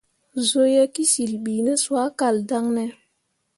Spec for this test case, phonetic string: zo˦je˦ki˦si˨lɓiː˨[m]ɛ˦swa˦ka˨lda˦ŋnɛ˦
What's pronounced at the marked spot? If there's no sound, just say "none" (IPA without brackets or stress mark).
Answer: n